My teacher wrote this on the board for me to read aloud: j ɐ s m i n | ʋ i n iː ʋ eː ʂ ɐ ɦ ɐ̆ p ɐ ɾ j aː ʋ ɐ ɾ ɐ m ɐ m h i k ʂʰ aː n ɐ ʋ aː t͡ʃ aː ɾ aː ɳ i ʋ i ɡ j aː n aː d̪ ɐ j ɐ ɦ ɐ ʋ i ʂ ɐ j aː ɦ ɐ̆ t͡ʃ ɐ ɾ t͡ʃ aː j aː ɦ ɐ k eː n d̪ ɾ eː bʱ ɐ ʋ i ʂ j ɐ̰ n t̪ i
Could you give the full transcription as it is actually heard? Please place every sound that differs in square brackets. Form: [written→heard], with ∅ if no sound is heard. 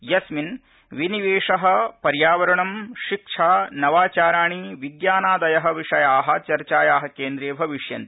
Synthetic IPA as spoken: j ɐ s m i n | ʋ i n [iː→i] ʋ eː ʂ ɐ ɦ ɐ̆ p ɐ ɾ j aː ʋ ɐ ɾ ɐ [m→ɳ] ɐ m [h→ʃ] i k ʂʰ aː n ɐ ʋ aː t͡ʃ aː ɾ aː ɳ i ʋ i ɡ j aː n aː d̪ ɐ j ɐ ɦ ɐ ʋ i ʂ ɐ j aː ɦ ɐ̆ t͡ʃ ɐ ɾ t͡ʃ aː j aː ɦ ɐ k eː n d̪ ɾ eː bʱ ɐ ʋ i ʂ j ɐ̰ n t̪ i